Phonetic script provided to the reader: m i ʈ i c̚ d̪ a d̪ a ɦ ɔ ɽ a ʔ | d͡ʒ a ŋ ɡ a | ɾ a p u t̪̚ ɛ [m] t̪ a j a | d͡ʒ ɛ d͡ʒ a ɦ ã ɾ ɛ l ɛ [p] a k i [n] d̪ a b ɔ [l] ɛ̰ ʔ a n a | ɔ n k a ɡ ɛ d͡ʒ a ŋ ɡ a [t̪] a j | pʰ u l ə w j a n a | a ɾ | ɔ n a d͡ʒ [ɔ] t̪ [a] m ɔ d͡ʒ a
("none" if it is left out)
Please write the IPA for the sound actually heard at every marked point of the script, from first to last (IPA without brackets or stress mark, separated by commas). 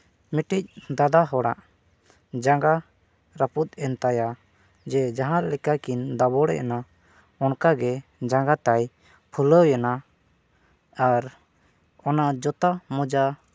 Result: n, k, n, ɽ, t̪, ɔ, a